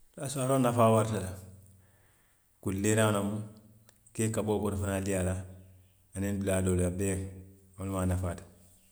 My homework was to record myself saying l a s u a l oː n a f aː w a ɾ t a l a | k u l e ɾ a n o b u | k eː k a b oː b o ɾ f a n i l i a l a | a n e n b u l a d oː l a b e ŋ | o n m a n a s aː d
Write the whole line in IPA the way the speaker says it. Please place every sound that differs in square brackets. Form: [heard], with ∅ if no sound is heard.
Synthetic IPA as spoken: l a s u a [ɾ] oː n a f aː w a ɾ t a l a | k u l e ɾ a n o [m] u | k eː k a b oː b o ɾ f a n [a] l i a l a | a n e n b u l a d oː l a b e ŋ | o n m a n a [f] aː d